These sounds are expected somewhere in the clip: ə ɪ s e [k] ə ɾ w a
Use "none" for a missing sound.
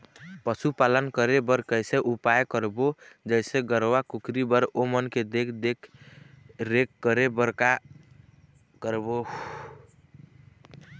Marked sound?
ɡ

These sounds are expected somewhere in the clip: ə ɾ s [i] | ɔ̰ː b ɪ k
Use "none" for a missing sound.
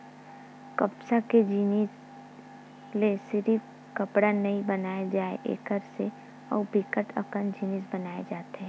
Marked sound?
e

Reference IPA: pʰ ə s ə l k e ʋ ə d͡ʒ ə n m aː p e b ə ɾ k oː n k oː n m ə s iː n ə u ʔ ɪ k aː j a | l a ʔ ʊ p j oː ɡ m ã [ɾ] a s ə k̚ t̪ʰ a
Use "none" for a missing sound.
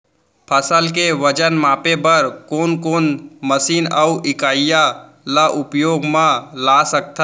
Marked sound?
l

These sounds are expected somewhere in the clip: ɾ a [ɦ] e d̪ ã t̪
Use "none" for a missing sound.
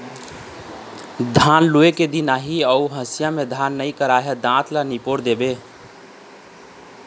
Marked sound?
ɦ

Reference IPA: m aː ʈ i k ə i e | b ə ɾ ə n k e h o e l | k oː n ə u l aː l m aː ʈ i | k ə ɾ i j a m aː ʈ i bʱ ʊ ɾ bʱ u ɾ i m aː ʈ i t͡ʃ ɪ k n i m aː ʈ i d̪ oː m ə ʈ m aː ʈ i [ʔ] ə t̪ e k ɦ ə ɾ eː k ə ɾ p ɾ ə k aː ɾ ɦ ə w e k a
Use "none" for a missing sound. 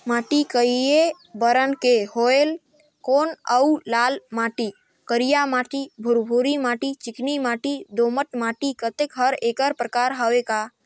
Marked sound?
k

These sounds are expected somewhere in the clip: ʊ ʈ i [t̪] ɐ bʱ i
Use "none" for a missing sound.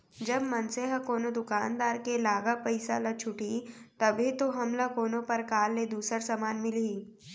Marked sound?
t̪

